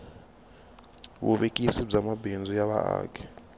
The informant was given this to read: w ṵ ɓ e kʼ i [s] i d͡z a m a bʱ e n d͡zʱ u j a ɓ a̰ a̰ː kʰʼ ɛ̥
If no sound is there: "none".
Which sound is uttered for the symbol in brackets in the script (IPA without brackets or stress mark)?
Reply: s